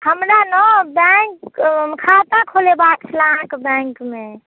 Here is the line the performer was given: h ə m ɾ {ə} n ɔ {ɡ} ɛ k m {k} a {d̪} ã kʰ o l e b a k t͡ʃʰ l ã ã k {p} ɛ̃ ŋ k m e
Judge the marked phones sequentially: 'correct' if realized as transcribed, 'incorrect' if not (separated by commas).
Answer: incorrect, incorrect, incorrect, incorrect, incorrect